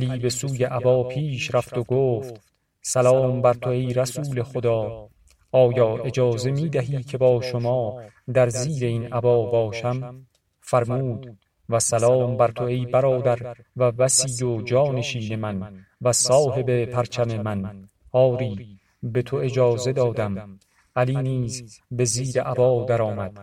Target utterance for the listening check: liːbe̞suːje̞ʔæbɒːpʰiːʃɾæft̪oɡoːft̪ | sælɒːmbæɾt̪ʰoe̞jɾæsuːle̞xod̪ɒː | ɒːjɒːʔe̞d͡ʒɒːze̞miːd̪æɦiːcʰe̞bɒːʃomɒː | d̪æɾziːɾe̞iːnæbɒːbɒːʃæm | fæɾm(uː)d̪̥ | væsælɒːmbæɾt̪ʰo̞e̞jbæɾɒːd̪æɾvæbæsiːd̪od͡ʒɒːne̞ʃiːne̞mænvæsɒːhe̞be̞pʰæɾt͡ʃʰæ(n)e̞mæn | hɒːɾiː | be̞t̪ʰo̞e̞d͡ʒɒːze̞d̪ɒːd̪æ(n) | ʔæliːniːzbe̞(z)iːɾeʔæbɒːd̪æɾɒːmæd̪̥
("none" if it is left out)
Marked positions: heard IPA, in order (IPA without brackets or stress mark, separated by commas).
uː, m, m, z